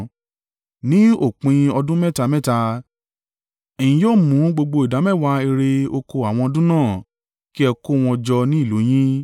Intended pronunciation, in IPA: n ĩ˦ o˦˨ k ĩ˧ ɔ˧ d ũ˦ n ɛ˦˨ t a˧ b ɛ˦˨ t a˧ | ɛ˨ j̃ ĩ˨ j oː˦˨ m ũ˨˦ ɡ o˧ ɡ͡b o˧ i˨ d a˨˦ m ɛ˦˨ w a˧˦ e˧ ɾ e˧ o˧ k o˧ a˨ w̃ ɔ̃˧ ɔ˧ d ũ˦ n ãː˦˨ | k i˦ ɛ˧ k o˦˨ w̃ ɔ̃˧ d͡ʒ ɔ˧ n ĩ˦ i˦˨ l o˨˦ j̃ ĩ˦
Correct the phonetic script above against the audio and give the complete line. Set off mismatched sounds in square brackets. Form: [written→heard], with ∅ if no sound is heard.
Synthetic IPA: n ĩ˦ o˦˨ [k→k͡p] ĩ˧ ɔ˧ d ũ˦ [n→m] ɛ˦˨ t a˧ [b→m] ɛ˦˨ t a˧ | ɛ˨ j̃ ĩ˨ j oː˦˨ m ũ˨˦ [ɡ→ɡ͡b] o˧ ɡ͡b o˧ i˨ d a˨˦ m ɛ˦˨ w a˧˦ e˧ ɾ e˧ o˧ k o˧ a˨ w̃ ɔ̃˧ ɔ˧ d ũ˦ n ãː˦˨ | k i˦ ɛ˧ k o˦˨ w̃ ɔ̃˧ d͡ʒ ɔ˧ n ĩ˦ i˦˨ l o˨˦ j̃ ĩ˦